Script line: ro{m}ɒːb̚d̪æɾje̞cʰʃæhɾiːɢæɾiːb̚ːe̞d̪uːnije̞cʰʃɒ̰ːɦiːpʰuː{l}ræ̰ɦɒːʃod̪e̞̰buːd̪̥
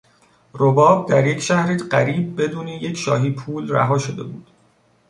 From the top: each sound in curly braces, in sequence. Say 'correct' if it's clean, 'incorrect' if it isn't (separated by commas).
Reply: incorrect, correct